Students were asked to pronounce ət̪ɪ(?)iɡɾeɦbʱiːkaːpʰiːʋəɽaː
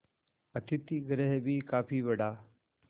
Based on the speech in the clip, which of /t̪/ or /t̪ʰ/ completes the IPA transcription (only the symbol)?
t̪